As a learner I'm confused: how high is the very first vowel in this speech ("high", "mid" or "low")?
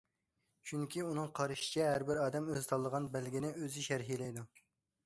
high